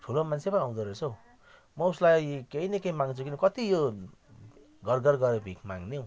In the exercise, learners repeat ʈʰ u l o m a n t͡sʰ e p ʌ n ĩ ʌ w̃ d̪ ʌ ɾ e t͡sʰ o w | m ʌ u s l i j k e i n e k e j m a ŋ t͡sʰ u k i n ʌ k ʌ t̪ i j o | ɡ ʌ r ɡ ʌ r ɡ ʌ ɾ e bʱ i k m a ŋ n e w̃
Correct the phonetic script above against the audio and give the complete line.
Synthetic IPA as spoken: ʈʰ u l o m a n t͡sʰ e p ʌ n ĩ a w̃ d̪ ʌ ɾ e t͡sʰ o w | m ʌ u s l a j k e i n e k e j m a ŋ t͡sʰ u k i n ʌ k ʌ t̪ i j o | ɡ ʌ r ɡ ʌ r ɡ ʌ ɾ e bʱ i k m a ŋ n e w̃